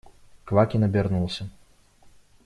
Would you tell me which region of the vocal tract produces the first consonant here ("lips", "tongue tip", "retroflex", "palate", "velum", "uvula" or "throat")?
velum